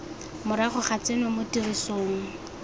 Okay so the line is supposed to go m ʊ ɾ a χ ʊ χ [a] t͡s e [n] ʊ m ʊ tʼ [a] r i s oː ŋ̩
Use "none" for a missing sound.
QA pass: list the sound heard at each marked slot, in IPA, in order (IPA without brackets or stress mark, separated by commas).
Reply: a, n, i